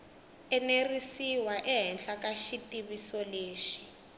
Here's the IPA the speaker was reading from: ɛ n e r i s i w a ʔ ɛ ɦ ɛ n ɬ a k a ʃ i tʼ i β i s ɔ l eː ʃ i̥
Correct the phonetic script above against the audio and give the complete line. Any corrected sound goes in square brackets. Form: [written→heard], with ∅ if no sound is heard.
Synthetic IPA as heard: ɛ n e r i s i w a ʔ ɛ ɦ ɛ n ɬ a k a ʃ i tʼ i β i s ɔ l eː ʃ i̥